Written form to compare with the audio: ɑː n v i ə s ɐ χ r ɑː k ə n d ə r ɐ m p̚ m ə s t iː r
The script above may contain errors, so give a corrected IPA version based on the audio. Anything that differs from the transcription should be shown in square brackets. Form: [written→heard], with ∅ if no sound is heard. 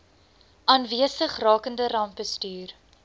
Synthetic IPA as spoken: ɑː n v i ə s [ɐ→ə] χ r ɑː k ə n d ə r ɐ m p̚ [m→b] ə s t [iː→yː] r